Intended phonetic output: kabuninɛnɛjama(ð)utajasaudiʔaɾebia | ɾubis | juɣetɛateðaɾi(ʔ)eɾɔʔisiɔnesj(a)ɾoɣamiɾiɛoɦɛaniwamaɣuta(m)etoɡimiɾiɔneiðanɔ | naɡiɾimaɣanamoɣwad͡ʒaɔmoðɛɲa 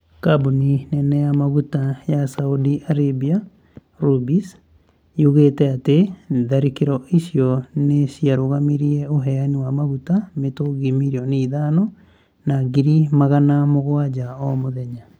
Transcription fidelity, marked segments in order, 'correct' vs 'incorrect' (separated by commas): incorrect, incorrect, correct, correct